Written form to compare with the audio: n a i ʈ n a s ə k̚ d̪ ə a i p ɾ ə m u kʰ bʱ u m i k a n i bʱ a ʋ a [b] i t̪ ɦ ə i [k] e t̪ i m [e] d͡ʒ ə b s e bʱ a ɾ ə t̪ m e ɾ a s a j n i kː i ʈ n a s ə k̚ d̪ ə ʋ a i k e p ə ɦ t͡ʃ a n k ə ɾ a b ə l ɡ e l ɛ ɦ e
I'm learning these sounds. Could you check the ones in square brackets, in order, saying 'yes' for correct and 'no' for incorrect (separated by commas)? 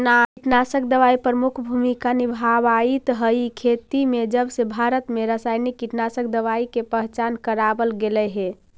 no, no, yes